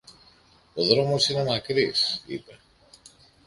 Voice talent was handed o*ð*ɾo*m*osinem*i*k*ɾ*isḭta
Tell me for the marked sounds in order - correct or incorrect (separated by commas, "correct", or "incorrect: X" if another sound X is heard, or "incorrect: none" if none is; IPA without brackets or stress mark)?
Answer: correct, correct, incorrect: a, correct